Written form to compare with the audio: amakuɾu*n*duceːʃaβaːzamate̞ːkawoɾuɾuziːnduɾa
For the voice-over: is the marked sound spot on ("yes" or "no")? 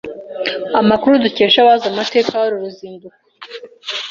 no